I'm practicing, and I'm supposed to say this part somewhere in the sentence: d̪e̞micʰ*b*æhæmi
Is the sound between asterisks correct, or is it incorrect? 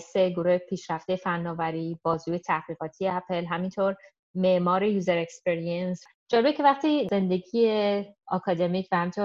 incorrect